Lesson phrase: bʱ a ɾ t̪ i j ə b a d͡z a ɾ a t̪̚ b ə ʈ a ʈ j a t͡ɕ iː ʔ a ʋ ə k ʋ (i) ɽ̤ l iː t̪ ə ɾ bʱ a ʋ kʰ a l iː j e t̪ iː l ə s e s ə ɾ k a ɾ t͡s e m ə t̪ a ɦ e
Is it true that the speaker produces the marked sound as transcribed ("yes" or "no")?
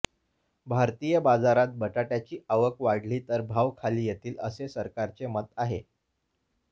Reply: no